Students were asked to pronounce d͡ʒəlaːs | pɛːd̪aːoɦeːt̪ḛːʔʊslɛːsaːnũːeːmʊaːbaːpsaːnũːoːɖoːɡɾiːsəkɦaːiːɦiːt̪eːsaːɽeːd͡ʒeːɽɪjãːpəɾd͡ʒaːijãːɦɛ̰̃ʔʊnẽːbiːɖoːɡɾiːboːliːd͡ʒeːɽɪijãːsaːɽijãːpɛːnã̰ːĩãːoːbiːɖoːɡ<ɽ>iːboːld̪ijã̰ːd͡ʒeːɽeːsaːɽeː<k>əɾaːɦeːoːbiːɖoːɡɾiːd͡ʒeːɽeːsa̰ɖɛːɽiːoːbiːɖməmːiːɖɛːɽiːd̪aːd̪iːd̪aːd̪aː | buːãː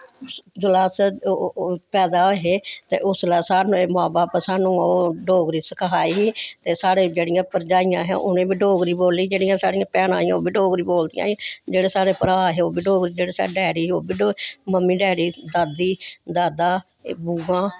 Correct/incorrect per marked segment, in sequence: incorrect: ɾ, incorrect: p

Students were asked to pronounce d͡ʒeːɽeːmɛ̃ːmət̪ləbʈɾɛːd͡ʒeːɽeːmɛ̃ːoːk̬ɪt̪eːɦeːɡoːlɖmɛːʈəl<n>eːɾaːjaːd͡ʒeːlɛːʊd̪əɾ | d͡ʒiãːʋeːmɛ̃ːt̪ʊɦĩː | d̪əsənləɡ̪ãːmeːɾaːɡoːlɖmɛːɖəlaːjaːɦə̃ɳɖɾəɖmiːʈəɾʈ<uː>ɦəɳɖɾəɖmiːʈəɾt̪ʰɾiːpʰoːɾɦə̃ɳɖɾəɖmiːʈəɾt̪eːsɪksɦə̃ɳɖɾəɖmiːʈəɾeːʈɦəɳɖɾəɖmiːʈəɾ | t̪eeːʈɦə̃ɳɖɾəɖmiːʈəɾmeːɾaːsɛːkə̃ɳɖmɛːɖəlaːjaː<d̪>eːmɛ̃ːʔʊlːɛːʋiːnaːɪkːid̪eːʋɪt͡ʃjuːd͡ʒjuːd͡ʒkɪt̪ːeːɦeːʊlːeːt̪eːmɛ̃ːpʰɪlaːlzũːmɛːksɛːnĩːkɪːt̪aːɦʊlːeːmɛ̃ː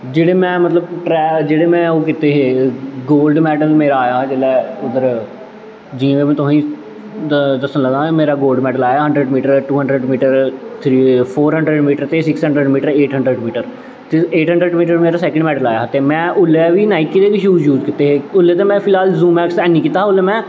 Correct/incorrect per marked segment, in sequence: incorrect: m, correct, incorrect: t̪

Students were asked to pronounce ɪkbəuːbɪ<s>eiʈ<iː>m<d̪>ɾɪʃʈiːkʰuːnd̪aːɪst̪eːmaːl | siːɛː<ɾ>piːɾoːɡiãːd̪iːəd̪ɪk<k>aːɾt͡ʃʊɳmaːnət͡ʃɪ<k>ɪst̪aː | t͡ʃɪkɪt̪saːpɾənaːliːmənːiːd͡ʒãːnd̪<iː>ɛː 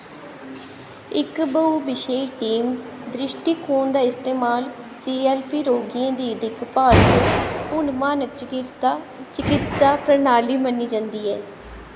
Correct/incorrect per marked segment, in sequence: incorrect: ʃ, correct, correct, incorrect: l, incorrect: p, correct, correct

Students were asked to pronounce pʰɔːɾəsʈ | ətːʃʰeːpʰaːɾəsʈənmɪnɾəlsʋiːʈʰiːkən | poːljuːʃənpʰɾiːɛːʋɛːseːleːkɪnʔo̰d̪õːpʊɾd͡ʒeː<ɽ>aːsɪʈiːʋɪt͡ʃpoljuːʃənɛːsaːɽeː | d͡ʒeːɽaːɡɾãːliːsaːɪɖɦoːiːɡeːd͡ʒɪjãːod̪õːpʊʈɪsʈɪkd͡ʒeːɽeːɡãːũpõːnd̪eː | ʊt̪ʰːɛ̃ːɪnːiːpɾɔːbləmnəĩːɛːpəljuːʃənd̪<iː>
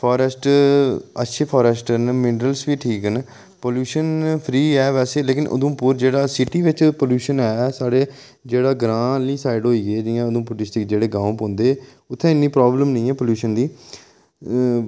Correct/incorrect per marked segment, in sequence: correct, correct

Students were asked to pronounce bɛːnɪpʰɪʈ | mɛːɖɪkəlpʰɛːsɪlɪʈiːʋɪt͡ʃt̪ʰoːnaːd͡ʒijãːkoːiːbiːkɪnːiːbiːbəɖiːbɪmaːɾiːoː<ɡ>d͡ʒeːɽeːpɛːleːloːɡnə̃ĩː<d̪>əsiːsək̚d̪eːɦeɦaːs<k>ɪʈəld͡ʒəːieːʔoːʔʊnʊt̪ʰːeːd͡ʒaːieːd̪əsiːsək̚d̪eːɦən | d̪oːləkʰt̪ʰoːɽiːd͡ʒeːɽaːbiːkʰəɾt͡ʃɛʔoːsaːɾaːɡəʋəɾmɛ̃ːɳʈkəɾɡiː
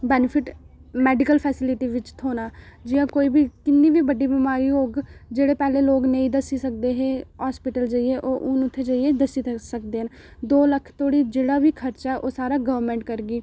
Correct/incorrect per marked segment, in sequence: correct, correct, incorrect: p

